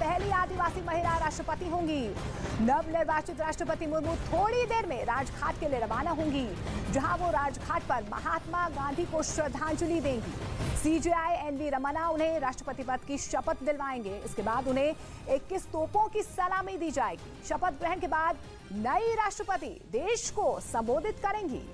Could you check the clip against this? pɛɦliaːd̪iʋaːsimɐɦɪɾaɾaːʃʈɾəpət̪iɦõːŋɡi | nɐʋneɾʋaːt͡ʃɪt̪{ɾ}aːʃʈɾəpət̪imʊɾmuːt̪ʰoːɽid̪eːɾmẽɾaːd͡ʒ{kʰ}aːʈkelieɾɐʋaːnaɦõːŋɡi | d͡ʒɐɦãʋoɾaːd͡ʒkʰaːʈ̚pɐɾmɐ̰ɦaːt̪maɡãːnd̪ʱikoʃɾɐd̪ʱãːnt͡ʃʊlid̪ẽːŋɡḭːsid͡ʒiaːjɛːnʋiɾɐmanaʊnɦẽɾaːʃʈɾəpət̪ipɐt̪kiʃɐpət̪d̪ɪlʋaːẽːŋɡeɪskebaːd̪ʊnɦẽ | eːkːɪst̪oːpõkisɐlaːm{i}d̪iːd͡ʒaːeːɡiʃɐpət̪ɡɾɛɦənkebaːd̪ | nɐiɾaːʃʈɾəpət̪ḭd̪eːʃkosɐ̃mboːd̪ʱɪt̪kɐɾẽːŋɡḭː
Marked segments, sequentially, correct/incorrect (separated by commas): correct, correct, correct